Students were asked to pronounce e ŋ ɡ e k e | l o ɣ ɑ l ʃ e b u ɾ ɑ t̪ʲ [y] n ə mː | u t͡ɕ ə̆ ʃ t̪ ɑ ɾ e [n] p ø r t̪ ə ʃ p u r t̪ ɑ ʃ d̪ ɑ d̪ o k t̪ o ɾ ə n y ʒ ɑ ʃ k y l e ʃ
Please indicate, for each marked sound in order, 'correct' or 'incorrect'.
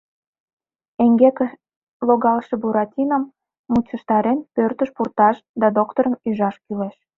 incorrect: i, correct

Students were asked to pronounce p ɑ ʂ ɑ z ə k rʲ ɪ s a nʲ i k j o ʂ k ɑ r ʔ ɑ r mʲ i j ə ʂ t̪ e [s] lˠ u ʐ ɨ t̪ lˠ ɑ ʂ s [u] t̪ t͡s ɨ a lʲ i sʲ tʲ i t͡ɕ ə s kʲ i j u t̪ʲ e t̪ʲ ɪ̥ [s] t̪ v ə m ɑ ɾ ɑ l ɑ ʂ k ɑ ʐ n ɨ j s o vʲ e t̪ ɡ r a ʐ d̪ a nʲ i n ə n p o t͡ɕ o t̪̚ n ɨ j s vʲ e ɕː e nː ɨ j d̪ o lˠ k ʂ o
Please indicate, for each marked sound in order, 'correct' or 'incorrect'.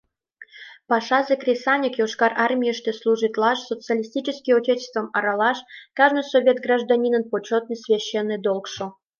correct, incorrect: o, correct

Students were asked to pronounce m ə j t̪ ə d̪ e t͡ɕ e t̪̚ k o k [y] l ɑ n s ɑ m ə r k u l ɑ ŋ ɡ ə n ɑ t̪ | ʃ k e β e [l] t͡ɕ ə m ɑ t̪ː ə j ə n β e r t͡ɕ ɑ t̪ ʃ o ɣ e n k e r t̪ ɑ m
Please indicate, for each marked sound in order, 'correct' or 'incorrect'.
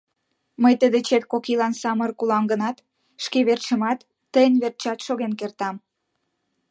incorrect: i, incorrect: r

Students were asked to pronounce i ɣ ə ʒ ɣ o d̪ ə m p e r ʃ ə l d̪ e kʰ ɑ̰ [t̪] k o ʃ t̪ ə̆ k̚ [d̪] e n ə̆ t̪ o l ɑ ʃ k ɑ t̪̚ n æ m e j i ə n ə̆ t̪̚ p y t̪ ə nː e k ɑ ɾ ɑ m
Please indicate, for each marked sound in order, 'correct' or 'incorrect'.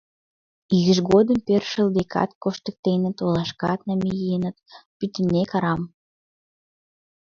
correct, incorrect: t̪

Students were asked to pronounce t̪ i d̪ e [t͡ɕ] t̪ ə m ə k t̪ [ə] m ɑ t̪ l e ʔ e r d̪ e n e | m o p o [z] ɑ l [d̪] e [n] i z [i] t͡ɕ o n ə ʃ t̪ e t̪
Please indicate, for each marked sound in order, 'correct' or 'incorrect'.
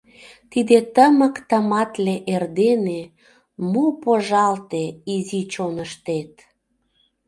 incorrect: none, correct, incorrect: ʒ, incorrect: t̪, incorrect: none, correct

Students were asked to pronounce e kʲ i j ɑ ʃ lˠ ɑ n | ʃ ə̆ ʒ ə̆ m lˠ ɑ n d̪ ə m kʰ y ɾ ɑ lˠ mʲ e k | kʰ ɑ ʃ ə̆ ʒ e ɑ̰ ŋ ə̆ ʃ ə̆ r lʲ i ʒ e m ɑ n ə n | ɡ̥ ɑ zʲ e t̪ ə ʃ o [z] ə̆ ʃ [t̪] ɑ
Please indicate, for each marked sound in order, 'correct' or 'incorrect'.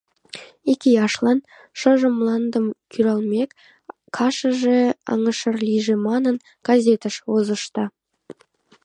correct, correct

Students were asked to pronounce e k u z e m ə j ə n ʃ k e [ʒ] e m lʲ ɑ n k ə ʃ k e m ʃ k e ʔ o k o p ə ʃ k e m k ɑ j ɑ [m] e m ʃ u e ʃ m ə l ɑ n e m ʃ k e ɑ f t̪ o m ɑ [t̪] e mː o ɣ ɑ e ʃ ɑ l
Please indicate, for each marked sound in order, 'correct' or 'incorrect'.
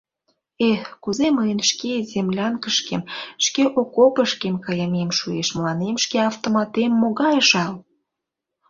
incorrect: z, correct, correct

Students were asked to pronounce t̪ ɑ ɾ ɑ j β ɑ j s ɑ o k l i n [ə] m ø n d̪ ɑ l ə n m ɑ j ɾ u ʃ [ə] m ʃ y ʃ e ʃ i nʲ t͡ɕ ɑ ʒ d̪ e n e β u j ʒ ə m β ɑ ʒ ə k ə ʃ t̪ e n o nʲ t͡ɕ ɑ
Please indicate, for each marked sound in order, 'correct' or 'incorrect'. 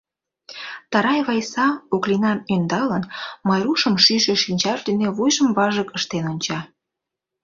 incorrect: ɑ, correct

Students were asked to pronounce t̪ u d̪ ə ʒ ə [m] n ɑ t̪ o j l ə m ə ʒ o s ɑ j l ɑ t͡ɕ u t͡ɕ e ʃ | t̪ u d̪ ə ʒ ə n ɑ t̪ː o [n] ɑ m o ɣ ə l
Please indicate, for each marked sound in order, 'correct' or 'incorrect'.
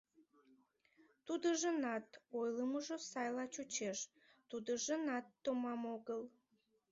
incorrect: none, incorrect: m

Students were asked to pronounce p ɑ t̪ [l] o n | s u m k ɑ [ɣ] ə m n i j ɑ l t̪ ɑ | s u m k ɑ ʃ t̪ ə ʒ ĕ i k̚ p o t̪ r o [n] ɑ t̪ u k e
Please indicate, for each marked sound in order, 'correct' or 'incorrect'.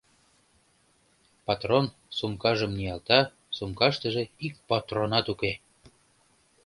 incorrect: r, incorrect: ʒ, correct

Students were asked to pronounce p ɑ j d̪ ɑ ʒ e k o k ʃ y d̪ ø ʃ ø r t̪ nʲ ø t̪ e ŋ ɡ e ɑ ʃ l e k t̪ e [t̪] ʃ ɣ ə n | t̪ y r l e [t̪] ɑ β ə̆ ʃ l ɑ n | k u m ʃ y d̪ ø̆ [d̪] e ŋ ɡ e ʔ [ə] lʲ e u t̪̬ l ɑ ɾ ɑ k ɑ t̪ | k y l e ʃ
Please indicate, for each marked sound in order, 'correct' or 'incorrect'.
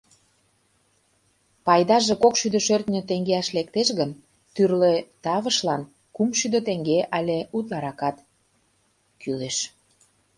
incorrect: none, correct, incorrect: t̪, incorrect: ɑ

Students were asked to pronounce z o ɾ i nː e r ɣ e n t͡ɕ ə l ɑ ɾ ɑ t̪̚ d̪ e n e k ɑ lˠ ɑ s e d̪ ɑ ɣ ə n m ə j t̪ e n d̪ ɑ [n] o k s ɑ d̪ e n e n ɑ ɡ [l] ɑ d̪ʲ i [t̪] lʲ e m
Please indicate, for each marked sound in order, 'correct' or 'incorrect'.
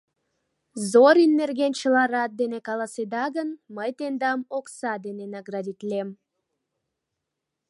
incorrect: m, incorrect: r, correct

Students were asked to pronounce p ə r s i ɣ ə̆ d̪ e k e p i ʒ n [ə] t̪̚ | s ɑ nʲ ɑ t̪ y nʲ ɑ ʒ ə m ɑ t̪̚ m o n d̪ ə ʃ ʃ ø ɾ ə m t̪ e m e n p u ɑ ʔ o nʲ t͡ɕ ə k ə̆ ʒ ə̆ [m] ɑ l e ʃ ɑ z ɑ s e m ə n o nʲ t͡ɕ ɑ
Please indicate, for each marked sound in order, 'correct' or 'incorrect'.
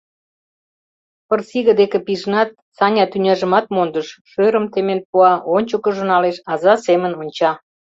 incorrect: ɑ, incorrect: n

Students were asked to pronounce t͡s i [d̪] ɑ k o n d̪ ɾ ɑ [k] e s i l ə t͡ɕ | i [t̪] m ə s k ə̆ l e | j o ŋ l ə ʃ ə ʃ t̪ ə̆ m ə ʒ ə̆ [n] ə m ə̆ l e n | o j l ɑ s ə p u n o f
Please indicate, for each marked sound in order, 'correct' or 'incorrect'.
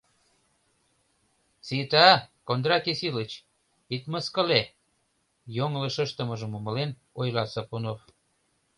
incorrect: t̪, correct, correct, incorrect: m

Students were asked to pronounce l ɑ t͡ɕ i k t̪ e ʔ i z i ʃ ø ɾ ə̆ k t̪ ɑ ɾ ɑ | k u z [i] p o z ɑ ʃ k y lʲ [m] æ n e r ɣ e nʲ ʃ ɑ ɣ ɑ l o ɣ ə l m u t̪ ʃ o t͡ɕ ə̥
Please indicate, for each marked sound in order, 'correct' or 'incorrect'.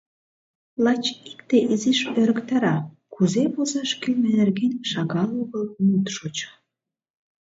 incorrect: e, correct

